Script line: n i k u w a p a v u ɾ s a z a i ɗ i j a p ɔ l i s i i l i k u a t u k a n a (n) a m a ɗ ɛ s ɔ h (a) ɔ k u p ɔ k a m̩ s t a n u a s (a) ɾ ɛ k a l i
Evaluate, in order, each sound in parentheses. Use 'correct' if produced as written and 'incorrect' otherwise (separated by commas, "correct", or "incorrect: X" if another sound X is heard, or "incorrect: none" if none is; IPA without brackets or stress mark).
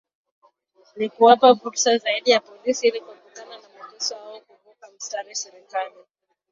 correct, correct, incorrect: ɛ